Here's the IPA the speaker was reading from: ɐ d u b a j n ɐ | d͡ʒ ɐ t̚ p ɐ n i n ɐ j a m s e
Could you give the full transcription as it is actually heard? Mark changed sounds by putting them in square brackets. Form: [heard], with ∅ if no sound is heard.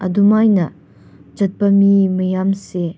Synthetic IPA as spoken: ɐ d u [m] a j n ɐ | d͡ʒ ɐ t̚ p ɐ [m] i [m] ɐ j a m s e